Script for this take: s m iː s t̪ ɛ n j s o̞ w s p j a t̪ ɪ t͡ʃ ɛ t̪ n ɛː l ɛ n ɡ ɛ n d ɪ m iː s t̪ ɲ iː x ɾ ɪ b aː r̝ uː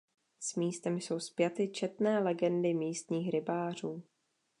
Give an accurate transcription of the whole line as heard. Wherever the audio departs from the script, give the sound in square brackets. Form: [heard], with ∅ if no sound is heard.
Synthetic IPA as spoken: s m iː s t̪ ɛ [m] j s o̞ w s p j a t̪ ɪ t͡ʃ ɛ t̪ n ɛː l ɛ [∅] ɡ ɛ n d ɪ m iː s t̪ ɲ iː x ɾ ɪ b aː r̝ uː